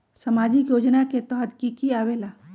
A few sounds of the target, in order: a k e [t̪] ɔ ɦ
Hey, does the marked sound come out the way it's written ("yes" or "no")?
yes